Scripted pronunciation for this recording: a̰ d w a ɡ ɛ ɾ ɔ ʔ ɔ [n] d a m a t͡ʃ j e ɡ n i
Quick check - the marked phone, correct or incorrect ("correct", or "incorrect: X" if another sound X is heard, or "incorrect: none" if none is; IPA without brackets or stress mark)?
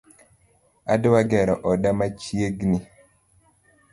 incorrect: none